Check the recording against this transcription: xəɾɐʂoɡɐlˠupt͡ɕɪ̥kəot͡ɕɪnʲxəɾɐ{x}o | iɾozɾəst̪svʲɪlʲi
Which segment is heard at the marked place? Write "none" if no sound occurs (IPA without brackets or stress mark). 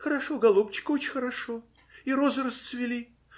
ʂ